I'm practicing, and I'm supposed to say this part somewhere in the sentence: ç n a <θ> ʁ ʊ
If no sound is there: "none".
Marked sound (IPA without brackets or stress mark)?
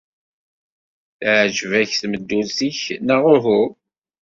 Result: none